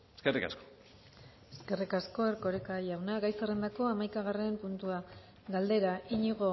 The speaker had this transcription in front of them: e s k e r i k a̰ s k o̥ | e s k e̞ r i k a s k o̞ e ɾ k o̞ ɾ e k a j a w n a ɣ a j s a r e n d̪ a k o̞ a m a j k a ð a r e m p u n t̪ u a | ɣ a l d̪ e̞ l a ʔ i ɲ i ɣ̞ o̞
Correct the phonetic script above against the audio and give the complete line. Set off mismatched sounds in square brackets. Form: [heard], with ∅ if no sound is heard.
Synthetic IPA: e s k e r i k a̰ s k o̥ | e s k e̞ r i k a s k o̞ e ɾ k o̞ ɾ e k a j a w n a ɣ a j s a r e n d̪ a k o̞ a m a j k a [ɣ] a r e m p u n t̪ u a | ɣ a l d̪ e̞ [ɾ] a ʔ i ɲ i ɣ̞ o̞